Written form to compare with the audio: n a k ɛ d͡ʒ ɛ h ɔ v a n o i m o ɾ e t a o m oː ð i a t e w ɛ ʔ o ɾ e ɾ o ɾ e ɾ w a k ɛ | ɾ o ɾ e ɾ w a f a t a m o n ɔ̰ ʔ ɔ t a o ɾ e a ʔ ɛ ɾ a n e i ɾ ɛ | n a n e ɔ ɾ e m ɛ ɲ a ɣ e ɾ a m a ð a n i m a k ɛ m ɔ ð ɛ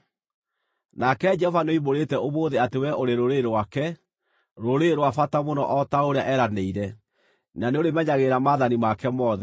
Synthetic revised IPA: n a k ɛ d͡ʒ ɛ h ɔ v a n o i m o ɾ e t ɛ o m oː ð e a t e w ɛ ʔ o ɾ e ɾ o ɾ e ɾ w a k ɛ | ɾ o ɾ e ɾ w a f a t a m o n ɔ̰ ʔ ɔ t a o ɾ e a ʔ ɛ ɾ a n e i ɾ ɛ | n a n e o ɾ e m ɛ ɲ a ɣ e ɾ a m a ð a n i m a k ɛ m ɔ ð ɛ